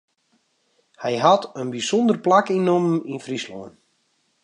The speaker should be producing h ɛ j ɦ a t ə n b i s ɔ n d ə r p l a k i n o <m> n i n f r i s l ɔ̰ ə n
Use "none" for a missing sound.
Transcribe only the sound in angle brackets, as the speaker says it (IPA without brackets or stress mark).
m